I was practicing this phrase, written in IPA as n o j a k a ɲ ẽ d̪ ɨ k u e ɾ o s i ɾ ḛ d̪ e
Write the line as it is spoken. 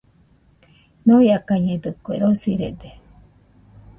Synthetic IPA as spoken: n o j a k a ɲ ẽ d̪ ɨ k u e ɾ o s i ɾ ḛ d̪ e